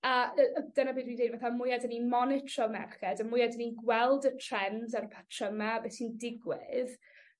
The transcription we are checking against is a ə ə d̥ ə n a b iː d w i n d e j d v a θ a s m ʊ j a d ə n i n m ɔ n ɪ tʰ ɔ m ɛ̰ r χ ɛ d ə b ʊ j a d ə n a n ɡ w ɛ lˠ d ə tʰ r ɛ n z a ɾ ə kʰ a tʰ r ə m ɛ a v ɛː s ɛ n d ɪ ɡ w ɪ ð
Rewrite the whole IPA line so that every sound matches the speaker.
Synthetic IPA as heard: a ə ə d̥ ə n a b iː d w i n d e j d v a θ a m ʊ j a d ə n i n m ɔ n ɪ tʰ ɔ m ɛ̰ r χ ɛ d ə m ʊ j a d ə n i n ɡ w ɛ lˠ d ə tʰ r ɛ n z a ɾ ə pʰ a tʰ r ə m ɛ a b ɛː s i n d ɪ ɡ w ɪ ð